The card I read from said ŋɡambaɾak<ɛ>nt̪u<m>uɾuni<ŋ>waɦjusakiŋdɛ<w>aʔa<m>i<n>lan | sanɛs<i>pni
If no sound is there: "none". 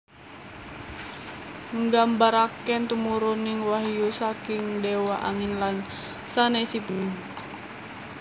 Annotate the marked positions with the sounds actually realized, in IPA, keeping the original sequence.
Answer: ɛ, m, ŋ, w, ŋ, n, i

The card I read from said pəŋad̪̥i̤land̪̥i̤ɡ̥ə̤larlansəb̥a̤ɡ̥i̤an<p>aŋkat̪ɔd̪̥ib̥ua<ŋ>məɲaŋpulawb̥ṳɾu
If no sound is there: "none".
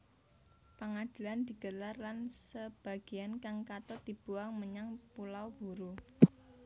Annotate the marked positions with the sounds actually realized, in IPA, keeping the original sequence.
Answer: k, ŋ

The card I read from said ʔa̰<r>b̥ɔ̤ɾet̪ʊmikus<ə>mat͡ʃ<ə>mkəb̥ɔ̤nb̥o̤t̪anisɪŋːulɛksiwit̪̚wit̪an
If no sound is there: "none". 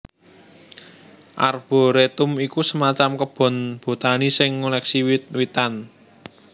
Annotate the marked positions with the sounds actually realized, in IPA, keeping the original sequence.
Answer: r, ə, a

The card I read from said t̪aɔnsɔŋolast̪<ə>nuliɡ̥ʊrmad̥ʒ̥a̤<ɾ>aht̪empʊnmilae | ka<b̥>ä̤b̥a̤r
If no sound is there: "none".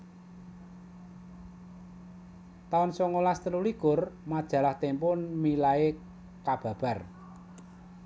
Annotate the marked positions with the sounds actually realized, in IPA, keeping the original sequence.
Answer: ə, l, b̥

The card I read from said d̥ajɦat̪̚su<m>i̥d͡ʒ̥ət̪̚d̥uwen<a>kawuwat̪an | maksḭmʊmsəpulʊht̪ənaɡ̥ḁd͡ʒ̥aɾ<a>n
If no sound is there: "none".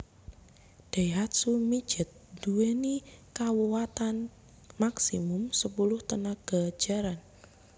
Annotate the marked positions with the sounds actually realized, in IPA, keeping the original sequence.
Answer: m, i, a

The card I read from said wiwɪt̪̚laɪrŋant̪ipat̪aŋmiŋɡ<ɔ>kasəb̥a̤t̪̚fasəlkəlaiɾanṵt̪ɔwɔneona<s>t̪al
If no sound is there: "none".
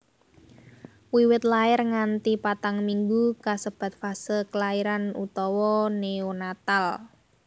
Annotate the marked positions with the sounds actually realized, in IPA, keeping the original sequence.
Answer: u, none

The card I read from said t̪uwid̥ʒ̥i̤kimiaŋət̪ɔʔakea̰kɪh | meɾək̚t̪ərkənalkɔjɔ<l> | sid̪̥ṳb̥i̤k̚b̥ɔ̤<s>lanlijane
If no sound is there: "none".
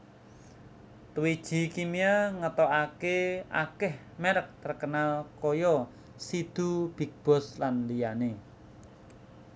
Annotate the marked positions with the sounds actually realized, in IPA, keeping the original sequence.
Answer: none, s

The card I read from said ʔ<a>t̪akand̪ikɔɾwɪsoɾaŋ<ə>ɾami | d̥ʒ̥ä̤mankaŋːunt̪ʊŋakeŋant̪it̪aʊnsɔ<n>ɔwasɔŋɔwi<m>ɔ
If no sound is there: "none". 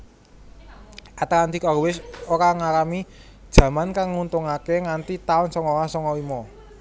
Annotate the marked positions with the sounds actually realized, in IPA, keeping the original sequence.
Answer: a, a, ŋ, m

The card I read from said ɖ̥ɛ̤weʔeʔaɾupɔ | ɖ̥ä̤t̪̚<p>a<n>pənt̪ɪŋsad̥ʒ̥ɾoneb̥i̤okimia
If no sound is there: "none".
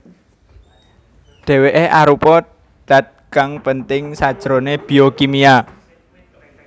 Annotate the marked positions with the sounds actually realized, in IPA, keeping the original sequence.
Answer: k, ŋ

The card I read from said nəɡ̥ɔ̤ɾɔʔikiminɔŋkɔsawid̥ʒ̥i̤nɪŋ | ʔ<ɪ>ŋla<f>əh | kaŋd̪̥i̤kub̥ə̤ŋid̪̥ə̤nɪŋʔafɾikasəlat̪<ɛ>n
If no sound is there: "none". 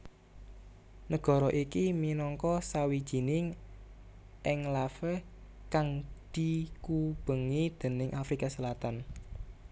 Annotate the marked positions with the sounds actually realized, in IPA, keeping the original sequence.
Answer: ɪ, f, a

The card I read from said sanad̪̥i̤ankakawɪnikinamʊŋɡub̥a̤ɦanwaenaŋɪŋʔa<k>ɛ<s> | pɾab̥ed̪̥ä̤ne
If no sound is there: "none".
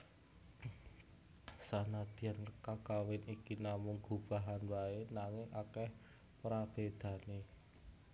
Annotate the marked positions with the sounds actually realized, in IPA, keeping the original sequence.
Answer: k, h

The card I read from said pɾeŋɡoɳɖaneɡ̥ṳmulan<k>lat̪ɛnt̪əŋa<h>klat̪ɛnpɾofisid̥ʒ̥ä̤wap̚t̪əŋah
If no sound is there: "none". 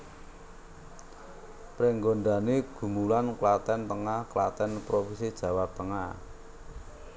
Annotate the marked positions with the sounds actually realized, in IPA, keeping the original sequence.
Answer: k, h

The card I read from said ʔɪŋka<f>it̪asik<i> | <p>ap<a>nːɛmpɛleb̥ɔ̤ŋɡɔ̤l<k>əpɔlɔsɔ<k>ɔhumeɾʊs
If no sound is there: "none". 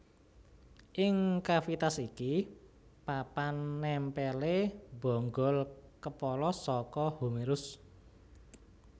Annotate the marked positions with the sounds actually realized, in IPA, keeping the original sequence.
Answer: f, i, p, a, k, k

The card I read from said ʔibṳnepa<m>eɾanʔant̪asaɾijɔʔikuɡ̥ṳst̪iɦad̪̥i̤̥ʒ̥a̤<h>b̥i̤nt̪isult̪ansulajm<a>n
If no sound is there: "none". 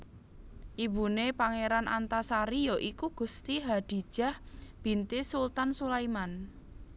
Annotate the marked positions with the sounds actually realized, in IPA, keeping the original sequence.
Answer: ŋ, h, a

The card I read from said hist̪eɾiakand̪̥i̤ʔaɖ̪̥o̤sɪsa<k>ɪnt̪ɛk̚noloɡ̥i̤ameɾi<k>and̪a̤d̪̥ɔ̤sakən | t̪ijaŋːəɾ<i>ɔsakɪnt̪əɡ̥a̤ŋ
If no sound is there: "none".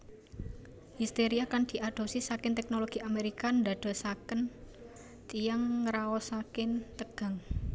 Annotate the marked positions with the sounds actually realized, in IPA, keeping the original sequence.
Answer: k, k, a

